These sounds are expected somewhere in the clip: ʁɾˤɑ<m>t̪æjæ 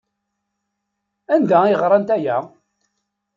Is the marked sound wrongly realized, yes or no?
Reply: yes